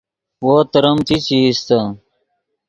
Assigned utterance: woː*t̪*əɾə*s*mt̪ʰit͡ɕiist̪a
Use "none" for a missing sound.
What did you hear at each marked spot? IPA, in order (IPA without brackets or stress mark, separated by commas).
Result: t̪, none